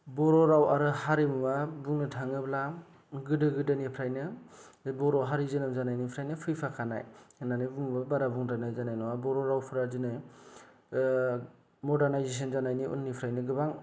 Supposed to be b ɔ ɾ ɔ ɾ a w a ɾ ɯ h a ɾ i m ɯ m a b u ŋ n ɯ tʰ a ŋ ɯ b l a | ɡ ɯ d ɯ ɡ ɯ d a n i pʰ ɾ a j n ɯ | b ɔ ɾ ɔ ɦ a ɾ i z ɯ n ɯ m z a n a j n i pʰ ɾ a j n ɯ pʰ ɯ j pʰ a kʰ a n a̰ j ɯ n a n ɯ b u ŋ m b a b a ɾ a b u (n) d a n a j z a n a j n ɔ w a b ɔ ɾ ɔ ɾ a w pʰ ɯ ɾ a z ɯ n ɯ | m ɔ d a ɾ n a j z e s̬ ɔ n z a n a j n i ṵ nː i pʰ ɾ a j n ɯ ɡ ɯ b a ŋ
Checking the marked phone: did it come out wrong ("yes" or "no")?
yes